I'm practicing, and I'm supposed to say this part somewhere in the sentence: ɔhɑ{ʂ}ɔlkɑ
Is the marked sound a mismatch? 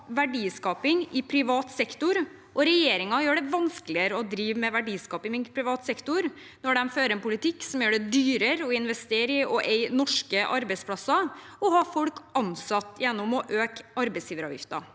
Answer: yes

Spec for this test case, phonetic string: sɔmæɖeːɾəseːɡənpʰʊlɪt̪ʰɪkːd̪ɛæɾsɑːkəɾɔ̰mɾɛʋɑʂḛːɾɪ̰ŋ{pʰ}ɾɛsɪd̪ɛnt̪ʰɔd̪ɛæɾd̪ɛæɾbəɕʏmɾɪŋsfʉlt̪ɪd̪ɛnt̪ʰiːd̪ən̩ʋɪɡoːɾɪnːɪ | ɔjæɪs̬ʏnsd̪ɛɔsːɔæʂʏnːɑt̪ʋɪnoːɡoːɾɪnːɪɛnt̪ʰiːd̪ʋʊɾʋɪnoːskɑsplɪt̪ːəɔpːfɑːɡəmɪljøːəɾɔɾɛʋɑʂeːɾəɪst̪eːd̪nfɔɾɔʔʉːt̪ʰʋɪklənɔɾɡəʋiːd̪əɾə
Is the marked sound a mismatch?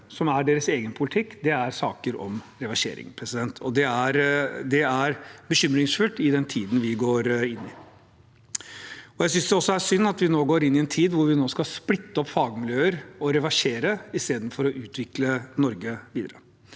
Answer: no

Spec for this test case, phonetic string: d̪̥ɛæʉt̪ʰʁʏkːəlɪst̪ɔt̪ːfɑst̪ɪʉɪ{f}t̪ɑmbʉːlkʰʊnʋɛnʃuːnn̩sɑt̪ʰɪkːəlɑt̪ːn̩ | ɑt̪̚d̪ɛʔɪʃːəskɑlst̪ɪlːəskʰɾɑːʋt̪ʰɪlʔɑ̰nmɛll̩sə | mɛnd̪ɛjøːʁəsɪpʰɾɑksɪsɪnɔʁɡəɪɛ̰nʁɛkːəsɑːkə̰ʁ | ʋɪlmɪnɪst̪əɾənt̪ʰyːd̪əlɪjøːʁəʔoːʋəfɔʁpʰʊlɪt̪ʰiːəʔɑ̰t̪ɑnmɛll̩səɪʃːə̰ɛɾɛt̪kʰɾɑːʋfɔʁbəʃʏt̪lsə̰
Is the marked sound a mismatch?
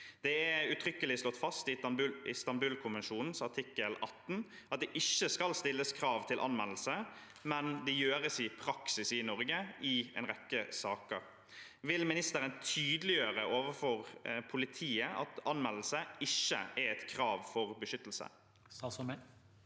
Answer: yes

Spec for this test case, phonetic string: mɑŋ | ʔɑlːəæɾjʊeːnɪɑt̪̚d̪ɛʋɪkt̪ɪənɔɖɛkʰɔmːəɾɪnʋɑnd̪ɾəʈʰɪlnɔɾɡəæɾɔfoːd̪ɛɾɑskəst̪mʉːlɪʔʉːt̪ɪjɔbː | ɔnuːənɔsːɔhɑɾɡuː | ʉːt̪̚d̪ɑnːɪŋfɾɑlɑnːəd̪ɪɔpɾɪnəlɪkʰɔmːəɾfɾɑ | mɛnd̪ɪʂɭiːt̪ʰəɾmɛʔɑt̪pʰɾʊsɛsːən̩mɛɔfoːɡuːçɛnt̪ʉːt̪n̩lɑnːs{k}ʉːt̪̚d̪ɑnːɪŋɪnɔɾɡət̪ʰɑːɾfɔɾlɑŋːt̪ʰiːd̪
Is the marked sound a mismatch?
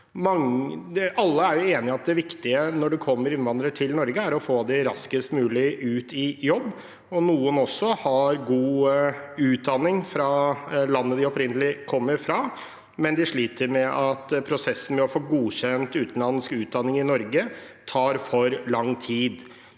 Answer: no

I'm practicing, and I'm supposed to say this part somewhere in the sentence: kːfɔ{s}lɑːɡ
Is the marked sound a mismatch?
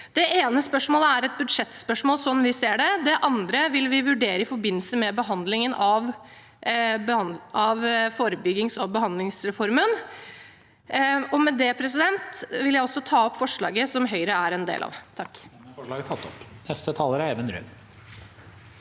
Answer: yes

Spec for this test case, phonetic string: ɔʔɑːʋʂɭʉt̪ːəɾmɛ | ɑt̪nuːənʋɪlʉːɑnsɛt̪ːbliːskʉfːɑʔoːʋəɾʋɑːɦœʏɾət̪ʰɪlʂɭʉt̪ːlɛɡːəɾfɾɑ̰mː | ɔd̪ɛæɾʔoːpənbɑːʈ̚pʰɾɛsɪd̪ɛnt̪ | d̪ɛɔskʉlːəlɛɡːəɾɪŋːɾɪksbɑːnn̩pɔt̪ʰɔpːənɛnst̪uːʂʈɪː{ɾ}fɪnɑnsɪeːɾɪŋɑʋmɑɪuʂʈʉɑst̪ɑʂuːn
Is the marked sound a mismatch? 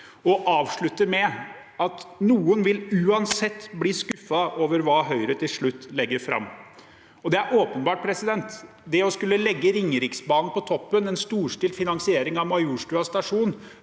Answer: yes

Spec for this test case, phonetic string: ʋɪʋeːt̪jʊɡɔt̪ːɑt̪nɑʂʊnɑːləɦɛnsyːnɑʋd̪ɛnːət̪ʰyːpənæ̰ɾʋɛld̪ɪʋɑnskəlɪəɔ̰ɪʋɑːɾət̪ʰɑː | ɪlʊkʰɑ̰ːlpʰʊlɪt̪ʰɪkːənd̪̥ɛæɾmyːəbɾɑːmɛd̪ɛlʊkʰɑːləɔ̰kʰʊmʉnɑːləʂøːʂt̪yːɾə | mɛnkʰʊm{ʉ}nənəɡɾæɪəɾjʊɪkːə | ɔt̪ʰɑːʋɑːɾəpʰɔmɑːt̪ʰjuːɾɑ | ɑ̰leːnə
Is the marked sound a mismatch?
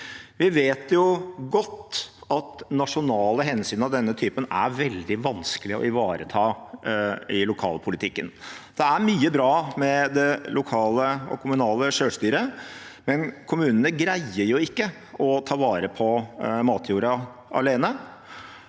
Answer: yes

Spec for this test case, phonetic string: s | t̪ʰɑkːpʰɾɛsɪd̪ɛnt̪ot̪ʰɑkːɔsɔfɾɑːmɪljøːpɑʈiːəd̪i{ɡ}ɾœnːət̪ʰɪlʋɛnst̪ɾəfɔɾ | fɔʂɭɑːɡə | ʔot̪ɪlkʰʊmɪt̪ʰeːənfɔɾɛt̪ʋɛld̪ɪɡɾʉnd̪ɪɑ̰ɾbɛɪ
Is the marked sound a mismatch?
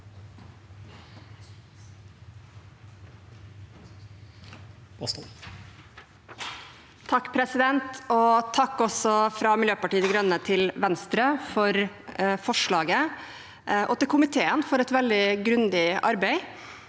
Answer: no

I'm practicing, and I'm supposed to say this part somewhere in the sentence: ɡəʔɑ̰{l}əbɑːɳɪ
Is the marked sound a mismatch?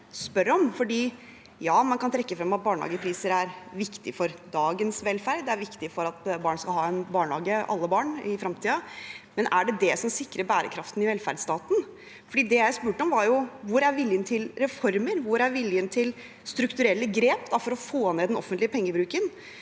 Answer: yes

